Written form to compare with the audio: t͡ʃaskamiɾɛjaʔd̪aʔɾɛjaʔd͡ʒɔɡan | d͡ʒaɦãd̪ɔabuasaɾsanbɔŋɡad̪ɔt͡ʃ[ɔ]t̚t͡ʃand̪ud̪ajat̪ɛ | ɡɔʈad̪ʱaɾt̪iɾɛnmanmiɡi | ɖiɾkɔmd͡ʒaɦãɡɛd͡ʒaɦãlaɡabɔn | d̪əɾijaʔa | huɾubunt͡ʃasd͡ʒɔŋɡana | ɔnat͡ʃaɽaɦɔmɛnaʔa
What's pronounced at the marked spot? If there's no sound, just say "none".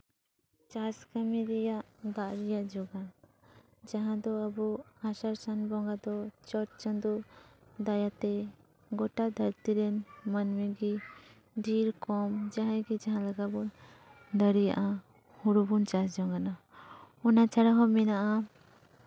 ɔ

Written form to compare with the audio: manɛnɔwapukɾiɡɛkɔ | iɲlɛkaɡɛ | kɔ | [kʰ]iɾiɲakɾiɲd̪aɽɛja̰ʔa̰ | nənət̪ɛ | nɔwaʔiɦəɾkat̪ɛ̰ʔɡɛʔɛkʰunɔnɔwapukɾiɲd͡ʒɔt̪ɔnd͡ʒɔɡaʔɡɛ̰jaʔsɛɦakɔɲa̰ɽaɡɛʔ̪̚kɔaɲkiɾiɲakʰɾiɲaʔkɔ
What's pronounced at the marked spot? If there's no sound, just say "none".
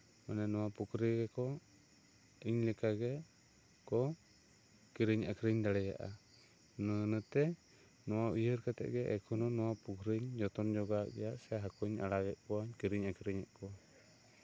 k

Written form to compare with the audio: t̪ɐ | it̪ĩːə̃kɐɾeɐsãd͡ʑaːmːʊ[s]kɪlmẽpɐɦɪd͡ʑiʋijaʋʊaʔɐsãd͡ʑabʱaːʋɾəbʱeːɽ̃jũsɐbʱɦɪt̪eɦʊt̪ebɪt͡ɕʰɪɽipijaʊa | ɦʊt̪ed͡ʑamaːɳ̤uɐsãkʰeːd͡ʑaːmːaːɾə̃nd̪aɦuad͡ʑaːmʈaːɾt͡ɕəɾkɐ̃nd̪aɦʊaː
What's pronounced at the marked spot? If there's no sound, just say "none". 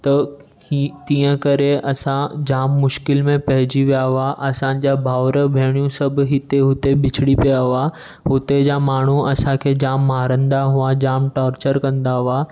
ʃ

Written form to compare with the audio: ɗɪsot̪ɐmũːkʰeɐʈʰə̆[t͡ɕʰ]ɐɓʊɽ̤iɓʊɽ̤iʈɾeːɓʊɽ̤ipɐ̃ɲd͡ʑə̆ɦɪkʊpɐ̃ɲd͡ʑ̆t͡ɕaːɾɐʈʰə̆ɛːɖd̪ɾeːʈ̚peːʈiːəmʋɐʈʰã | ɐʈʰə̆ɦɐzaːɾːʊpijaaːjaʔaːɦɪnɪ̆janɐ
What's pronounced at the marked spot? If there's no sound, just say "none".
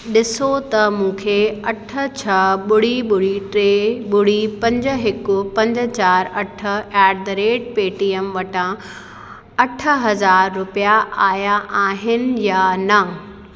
t͡ɕʰ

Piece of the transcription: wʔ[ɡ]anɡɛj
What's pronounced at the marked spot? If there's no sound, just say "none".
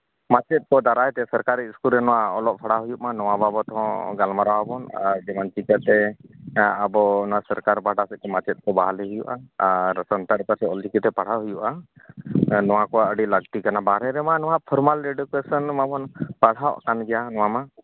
k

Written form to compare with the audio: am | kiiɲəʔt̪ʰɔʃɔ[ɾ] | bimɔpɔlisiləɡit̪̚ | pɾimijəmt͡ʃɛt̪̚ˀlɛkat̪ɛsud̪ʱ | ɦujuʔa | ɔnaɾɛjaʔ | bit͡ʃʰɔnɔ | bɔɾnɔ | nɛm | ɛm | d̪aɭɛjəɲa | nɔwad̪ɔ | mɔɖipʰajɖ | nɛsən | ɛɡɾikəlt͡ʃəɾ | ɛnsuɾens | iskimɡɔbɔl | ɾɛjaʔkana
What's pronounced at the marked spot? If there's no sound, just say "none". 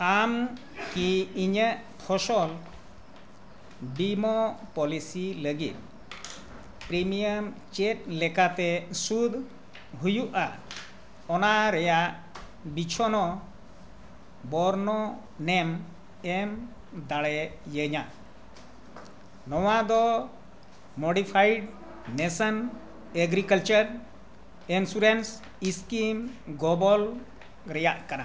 l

